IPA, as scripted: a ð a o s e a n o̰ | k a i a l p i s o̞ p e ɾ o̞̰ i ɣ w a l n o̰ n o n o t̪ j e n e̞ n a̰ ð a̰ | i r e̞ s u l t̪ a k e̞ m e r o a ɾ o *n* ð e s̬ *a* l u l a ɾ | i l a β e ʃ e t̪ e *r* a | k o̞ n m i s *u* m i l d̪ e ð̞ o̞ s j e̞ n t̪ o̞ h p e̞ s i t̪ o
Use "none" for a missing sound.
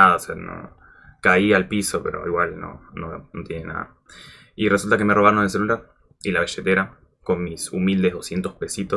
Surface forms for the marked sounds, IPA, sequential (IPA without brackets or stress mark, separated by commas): n, e, ɾ, u